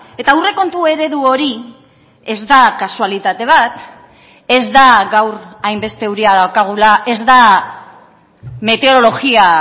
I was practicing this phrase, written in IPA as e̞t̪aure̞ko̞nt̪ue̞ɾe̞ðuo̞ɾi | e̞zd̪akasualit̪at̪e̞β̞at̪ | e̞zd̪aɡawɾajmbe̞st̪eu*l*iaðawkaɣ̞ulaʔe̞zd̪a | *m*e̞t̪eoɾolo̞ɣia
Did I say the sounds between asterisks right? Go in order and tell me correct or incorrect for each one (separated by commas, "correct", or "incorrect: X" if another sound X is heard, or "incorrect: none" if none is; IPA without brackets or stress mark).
incorrect: ɾ, correct